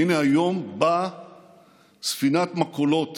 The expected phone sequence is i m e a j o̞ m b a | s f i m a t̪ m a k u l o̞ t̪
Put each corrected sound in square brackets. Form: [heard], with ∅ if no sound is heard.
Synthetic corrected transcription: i [n] e a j o̞ m b a | s f i [n] a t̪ m a k [o] l o̞ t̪